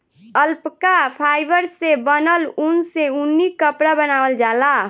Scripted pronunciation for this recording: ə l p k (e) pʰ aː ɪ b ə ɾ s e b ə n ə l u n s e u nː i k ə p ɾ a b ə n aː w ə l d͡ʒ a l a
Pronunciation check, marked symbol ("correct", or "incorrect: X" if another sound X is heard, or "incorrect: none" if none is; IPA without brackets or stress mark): incorrect: a